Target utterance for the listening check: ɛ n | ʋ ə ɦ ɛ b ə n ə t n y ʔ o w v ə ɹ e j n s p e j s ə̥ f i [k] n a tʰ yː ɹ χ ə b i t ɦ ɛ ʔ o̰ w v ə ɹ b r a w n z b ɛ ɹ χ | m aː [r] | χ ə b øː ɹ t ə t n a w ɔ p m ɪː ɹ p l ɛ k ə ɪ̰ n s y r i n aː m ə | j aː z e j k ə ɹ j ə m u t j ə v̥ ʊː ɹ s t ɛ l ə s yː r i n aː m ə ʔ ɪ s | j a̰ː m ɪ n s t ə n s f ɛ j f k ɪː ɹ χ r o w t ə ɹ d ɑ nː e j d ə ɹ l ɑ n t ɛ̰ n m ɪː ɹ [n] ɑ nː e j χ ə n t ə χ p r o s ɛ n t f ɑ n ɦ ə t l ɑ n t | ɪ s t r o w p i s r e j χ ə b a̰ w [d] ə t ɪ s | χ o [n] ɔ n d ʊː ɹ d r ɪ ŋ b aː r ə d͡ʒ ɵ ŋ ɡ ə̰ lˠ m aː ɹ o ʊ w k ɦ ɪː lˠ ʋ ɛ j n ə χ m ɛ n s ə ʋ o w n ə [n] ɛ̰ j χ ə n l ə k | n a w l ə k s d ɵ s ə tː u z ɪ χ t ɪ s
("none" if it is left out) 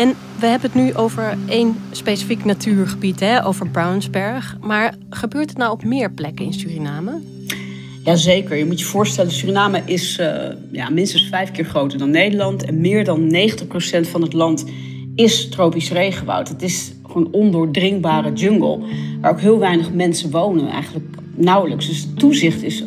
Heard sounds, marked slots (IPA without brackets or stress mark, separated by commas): k, ɹ, d, t, n, n